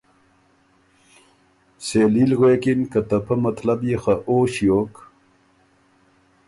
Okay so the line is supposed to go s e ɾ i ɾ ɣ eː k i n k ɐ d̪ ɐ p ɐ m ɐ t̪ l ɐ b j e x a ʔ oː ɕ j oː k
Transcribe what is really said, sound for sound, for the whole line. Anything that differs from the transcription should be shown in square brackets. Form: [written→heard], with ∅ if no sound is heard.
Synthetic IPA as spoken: s e [ɾ→l] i [ɾ→l] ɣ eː k i n k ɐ [d̪→t̪] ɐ p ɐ m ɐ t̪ l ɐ b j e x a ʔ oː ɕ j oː k